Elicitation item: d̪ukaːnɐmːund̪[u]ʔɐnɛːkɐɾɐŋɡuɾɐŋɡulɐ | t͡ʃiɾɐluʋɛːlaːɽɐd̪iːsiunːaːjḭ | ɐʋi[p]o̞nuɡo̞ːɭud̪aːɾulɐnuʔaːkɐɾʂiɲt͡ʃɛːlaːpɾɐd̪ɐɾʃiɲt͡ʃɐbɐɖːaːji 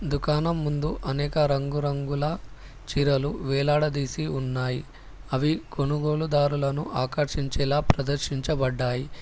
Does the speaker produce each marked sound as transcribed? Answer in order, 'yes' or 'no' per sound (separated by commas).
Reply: yes, no